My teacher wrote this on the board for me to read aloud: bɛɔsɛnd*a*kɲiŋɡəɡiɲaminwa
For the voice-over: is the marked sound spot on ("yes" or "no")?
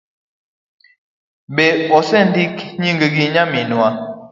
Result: no